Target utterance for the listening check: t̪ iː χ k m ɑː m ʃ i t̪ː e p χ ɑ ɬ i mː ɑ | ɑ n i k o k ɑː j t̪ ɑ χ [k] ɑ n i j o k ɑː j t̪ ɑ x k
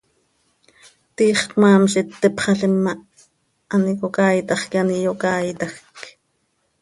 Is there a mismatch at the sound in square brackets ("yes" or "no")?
no